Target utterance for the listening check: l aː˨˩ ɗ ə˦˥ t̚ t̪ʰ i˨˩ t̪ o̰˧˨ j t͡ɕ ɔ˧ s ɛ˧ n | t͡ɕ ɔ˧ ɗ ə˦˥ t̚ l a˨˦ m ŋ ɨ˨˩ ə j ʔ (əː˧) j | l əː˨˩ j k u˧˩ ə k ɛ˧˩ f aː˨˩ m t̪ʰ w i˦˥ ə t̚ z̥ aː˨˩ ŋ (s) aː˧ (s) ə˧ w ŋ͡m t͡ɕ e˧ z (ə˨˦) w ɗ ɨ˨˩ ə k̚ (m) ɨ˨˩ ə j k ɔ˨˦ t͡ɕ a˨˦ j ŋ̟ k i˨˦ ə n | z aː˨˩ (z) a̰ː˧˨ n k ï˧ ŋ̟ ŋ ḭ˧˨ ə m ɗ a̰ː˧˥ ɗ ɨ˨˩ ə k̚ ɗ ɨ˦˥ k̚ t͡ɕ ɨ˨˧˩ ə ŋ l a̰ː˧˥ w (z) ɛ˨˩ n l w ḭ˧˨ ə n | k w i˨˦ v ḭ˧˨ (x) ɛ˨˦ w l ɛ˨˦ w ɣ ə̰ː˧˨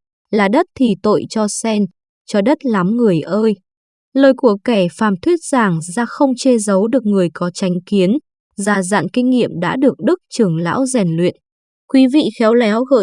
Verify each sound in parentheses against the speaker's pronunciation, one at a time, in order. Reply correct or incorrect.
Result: correct, incorrect: z, incorrect: x, correct, incorrect: ŋ, correct, correct, correct

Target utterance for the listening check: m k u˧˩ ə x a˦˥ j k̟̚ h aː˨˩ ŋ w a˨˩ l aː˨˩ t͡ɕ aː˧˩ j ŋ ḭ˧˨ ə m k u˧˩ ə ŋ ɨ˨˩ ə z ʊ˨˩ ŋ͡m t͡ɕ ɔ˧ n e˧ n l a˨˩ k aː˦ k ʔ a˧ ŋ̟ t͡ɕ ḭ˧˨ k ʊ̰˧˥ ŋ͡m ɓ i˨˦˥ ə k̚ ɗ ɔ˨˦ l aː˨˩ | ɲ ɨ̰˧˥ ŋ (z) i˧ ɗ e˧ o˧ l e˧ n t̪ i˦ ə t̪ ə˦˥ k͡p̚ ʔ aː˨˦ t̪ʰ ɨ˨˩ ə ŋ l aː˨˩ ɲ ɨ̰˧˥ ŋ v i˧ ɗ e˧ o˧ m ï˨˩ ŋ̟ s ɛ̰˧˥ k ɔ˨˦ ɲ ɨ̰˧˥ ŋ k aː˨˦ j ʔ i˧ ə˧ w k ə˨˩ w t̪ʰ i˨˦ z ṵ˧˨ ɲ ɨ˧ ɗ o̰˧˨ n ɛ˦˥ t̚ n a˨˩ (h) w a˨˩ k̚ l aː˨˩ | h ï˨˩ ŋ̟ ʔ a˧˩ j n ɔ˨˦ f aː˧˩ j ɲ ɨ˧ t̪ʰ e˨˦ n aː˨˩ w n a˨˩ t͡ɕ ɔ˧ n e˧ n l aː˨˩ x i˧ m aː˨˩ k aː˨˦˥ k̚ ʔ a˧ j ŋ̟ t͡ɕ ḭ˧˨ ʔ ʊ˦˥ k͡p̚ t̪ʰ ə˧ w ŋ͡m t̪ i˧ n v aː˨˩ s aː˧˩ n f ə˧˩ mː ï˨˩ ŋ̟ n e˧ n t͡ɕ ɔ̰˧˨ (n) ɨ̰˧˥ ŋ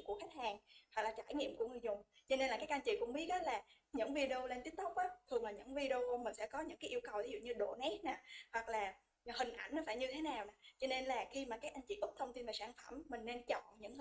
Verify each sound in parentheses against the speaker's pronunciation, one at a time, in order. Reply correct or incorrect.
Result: incorrect: v, correct, incorrect: ɲ

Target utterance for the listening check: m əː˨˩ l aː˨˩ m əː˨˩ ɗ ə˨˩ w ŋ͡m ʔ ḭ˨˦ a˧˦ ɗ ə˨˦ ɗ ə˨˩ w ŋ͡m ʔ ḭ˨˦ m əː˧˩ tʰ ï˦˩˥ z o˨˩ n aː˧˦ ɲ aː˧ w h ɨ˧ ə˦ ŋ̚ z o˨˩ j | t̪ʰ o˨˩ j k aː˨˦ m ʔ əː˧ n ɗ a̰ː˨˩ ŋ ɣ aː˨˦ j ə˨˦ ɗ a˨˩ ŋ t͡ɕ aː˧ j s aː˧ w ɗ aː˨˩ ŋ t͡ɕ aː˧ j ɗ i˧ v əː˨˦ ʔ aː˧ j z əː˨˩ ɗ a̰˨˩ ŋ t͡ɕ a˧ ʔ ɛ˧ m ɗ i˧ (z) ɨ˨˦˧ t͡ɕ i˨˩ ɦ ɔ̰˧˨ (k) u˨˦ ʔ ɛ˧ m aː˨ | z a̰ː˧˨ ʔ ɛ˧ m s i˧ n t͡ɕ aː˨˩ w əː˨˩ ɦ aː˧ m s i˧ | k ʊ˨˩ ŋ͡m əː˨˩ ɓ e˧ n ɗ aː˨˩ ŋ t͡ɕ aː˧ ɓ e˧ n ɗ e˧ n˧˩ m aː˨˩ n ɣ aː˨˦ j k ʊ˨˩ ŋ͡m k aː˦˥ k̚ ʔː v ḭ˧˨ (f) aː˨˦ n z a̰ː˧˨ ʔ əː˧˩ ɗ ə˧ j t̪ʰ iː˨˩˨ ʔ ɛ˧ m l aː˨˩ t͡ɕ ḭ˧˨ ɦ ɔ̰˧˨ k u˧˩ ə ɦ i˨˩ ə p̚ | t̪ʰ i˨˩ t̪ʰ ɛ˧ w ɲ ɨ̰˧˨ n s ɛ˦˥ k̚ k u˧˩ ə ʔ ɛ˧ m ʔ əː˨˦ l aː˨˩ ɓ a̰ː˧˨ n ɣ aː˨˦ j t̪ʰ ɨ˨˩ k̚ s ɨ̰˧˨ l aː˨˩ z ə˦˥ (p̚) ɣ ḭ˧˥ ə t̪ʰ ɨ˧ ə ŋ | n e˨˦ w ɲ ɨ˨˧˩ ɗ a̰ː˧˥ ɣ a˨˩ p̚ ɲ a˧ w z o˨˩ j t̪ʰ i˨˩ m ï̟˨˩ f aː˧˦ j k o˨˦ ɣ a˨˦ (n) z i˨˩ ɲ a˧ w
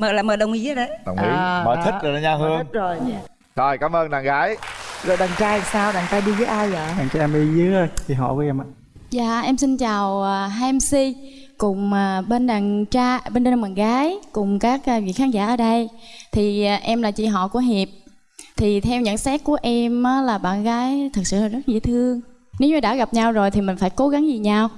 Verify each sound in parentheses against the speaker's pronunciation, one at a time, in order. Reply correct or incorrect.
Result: correct, correct, incorrect: x, incorrect: t̚, incorrect: ŋ

